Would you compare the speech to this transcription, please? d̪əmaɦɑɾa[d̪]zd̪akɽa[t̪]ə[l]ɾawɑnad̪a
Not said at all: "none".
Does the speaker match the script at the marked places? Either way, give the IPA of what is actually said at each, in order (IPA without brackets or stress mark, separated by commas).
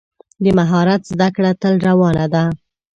t̪, t̪, l